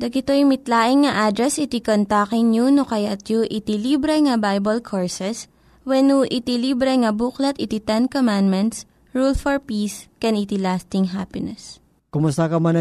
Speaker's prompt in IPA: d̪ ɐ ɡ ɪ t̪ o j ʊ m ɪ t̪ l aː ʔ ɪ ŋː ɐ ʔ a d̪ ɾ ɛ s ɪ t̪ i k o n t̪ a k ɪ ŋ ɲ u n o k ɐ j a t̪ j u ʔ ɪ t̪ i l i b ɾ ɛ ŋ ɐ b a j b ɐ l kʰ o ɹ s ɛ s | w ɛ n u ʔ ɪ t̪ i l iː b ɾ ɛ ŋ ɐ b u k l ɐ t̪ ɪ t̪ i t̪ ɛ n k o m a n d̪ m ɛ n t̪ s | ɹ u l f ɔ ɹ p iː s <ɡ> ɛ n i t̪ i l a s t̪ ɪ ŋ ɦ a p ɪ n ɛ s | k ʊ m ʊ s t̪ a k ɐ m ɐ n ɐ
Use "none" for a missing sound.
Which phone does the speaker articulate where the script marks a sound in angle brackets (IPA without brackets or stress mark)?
k